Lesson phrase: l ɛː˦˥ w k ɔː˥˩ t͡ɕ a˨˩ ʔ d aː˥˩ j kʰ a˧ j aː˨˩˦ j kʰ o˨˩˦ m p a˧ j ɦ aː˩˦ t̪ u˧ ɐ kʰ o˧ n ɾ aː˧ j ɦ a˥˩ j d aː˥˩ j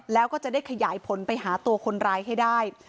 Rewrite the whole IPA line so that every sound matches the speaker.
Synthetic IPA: l ɛː˦˥ w k ɔː˥˩ t͡ɕ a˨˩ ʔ d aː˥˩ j kʰ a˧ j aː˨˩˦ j pʰ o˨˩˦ n p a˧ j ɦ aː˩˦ t̪ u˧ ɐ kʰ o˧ n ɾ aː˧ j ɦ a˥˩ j d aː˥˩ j